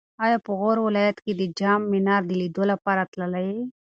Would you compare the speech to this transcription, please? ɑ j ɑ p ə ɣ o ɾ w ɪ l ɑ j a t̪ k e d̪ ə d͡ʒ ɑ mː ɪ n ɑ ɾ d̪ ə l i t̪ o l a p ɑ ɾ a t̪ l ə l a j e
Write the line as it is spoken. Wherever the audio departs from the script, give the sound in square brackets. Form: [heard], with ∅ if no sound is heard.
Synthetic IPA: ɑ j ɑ p ə ɣ o ɾ w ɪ l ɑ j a t̪ k e d̪ ə d͡ʒ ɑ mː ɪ n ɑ ɾ d̪ ə l i [d̪] o l a p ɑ ɾ a t̪ l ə l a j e